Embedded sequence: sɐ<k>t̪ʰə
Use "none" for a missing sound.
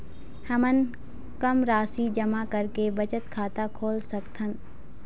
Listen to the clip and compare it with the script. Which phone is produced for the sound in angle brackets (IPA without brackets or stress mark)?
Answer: k